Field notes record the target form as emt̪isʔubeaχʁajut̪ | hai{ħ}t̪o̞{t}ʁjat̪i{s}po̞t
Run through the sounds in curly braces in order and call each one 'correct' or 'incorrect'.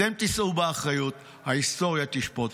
incorrect: s, incorrect: none, incorrect: ʃ

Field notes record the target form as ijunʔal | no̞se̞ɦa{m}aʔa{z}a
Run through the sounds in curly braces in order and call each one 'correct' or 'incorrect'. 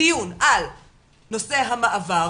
correct, incorrect: v

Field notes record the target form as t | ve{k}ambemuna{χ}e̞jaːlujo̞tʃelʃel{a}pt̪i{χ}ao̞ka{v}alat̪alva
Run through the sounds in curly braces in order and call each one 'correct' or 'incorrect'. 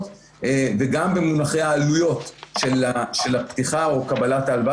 incorrect: ɡ, correct, correct, correct, incorrect: b

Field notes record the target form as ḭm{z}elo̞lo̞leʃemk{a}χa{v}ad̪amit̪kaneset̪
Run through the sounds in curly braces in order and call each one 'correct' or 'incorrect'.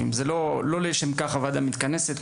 correct, correct, correct

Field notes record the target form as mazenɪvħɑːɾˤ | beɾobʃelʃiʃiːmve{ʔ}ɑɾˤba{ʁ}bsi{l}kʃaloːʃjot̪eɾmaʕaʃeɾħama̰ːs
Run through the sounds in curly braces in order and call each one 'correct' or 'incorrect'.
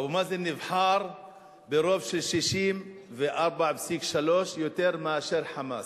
correct, incorrect: ʕ, incorrect: none

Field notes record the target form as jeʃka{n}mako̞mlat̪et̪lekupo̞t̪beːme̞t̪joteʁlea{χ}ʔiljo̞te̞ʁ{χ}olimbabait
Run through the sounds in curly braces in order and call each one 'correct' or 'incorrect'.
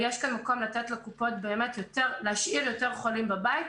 correct, incorrect: ʃ, correct

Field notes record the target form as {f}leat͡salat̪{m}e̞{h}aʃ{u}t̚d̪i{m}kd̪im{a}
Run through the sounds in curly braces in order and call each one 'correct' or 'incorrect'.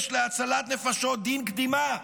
incorrect: ʃ, incorrect: n, incorrect: f, incorrect: o, incorrect: n, correct

